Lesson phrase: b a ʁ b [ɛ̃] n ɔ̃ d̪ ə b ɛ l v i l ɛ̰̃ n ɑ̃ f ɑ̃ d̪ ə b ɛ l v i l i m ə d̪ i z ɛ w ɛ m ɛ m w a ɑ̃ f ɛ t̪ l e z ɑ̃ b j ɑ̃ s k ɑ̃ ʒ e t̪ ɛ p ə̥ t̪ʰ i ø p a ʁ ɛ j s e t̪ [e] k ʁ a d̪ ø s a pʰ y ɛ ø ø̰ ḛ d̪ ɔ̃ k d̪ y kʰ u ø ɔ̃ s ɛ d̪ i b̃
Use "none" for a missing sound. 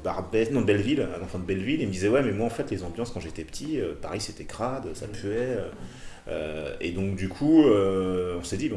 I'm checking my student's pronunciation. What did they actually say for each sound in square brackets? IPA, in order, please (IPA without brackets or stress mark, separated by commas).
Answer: ɛ, ɛ